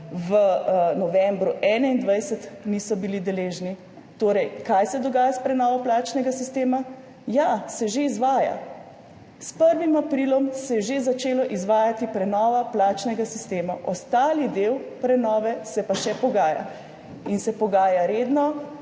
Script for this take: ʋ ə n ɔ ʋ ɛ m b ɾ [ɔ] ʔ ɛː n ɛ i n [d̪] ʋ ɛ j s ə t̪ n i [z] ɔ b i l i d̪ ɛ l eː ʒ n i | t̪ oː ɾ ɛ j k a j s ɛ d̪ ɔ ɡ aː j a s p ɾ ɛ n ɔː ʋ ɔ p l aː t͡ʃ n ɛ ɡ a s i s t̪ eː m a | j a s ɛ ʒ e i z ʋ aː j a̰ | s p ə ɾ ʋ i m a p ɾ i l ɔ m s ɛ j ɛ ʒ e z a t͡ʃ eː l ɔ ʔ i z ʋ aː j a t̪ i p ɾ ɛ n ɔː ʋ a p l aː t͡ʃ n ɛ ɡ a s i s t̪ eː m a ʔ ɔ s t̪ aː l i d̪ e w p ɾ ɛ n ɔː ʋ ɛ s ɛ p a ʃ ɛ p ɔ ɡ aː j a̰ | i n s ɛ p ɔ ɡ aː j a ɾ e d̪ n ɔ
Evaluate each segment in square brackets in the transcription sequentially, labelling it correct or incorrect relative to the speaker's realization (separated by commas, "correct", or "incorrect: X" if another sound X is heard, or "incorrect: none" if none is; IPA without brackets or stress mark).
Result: incorrect: u, correct, incorrect: s